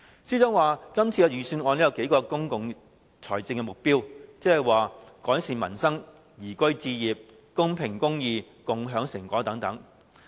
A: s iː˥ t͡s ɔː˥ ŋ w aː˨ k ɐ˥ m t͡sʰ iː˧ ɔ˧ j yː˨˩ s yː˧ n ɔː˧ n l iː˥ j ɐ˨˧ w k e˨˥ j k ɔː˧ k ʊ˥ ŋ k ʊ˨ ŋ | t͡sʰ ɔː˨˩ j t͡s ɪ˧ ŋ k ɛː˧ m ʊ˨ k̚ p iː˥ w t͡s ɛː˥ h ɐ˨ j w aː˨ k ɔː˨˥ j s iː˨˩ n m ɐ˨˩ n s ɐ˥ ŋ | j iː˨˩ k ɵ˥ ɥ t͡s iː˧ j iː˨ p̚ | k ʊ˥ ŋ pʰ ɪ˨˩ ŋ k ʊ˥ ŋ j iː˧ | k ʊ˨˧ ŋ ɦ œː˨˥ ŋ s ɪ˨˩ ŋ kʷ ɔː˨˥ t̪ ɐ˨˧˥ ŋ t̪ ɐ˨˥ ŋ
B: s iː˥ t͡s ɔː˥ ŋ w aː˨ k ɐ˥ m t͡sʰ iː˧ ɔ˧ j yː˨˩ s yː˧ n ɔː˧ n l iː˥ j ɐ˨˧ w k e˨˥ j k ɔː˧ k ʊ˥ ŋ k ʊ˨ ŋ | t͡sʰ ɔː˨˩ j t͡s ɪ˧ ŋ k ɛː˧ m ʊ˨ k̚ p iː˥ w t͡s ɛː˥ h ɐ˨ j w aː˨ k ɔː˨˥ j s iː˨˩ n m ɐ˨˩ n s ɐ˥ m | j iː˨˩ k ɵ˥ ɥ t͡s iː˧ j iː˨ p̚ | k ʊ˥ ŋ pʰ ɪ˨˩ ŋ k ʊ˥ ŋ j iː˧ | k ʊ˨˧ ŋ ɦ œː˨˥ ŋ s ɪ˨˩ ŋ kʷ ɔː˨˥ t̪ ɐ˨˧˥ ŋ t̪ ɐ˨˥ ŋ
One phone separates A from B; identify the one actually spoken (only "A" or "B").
A